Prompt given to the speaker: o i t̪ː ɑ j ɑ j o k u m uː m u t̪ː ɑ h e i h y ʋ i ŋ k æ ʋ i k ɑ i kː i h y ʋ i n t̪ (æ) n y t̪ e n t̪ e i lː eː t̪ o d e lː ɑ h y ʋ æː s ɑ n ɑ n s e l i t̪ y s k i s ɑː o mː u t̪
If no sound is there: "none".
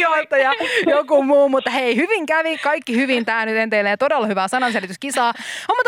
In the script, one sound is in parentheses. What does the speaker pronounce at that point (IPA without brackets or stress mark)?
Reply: æː